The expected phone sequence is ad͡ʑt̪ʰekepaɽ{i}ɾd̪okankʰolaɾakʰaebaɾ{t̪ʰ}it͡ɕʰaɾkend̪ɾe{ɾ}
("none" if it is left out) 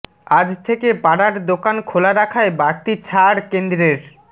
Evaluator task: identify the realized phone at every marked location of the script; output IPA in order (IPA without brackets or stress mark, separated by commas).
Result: a, t̪, ɾ